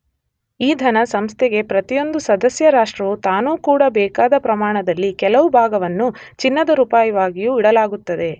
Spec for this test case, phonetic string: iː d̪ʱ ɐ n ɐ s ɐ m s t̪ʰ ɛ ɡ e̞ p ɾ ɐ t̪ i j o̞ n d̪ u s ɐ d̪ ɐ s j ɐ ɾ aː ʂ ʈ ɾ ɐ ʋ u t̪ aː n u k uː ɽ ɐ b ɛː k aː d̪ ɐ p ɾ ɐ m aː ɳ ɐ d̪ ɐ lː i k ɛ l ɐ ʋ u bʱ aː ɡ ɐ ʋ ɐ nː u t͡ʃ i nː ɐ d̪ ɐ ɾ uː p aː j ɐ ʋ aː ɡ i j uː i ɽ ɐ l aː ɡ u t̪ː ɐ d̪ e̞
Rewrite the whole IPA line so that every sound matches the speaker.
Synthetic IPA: iː d̪ʱ ɐ n ɐ s ɐ m s t̪ʰ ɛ ɡ e̞ p ɾ ɐ t̪ i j o̞ n d̪ u s ɐ d̪ ɐ s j ɐ ɾ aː ʂ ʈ ɾ ɐ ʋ u t̪ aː n uː k uː ɽ ɐ b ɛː k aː d̪ ɐ p ɾ ɐ m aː ɳ ɐ d̪ ɐ lː i k ɛ l ɐ ʋ u bʱ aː ɡ ɐ ʋ ɐ nː u t͡ʃ i nː ɐ d̪ ɐ ɾ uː p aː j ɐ ʋ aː ɡ i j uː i ɽ ɐ l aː ɡ u t̪ː ɐ d̪ e̞